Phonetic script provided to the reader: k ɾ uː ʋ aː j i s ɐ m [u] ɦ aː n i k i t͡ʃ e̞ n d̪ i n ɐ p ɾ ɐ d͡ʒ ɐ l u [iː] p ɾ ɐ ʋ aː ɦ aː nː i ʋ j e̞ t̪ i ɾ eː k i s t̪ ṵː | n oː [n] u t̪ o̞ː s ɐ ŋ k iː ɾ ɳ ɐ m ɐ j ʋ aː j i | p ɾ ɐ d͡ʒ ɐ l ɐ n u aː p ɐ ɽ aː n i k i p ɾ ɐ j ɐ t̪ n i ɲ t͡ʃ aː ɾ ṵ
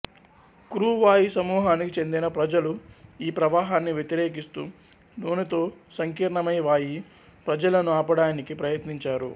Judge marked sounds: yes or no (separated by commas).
no, yes, yes